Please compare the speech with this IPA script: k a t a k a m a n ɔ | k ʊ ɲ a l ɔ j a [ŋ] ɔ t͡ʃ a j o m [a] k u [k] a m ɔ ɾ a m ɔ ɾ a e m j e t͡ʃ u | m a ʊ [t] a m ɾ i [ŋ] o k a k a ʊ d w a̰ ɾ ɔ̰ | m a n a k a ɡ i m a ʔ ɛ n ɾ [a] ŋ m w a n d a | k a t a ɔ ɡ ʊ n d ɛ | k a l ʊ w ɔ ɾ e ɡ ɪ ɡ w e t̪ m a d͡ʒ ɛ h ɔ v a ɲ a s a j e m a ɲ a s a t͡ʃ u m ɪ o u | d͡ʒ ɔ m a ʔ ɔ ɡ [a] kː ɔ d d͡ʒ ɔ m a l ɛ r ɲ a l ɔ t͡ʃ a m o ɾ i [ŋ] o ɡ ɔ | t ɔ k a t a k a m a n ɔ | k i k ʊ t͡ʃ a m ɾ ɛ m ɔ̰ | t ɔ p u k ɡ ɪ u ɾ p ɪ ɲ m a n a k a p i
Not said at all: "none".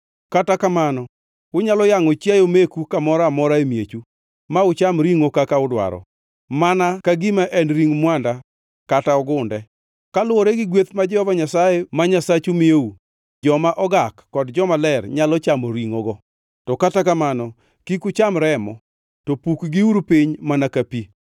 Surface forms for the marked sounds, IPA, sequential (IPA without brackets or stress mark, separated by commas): ŋ, e, k, t͡ʃ, ŋ, i, a, ŋ